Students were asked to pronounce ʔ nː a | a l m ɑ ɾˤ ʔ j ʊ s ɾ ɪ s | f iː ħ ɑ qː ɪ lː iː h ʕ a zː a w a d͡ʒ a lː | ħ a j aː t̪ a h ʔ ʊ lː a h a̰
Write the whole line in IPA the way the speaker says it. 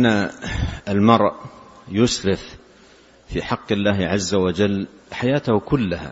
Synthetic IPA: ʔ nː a | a l m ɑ ɾˤ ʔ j ʊ s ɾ ɪ f | f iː ħ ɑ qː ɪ lː aː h ʕ a zː a w a d͡ʒ a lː | ħ a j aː t̪ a h k ʊ lː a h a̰